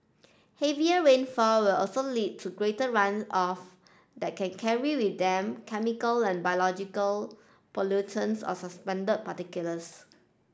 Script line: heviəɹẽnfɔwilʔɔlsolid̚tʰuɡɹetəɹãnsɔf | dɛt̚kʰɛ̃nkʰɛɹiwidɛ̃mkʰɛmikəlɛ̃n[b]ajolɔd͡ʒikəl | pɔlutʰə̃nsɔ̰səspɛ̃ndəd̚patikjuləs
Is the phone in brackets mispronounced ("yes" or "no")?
no